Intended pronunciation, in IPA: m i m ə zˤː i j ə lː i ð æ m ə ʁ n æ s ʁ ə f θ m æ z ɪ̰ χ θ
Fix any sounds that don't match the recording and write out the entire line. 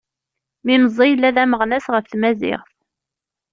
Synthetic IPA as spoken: m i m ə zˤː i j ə lː æ ð æ m ə ʁ n æ s ʁ ə f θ m æ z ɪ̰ ʁ θ